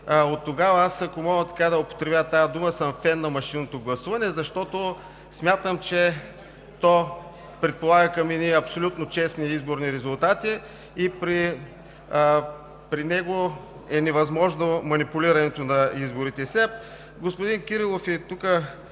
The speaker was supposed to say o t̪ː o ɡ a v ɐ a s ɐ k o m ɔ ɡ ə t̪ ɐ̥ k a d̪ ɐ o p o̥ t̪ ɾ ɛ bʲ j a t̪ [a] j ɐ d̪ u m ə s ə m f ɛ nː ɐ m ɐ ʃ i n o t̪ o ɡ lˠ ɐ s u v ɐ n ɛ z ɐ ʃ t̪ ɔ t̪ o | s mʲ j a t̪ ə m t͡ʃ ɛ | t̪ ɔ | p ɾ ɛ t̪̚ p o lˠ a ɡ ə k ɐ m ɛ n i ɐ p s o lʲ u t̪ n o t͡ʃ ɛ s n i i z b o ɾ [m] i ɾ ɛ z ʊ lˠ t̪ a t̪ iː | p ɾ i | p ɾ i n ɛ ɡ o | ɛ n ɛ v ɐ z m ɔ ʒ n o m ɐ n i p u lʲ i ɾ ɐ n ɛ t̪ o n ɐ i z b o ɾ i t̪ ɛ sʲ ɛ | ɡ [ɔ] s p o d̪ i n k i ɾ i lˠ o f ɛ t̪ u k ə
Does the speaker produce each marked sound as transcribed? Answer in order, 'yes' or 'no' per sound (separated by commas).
yes, no, no